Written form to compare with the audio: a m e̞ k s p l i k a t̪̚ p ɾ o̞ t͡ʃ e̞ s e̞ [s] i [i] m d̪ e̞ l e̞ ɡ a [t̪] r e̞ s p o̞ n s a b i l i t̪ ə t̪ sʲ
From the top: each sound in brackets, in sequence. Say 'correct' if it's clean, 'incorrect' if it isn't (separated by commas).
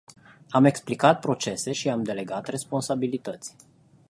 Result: incorrect, incorrect, correct